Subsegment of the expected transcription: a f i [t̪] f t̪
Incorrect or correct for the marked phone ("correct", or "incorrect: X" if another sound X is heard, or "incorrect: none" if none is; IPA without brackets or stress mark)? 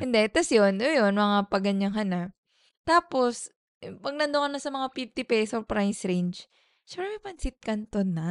incorrect: none